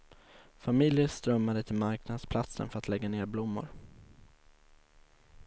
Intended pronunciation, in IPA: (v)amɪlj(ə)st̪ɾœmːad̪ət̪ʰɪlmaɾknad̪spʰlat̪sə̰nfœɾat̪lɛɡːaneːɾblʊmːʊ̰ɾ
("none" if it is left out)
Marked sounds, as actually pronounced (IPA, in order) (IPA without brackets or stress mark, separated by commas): f, ə